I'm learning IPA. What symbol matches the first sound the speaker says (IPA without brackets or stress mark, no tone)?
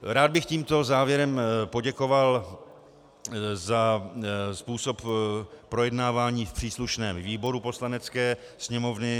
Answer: ɾ